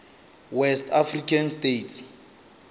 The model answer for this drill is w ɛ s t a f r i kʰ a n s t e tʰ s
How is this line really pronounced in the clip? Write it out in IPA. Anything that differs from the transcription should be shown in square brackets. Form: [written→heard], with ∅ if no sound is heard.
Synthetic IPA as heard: w ɛ s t a f r i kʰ a n s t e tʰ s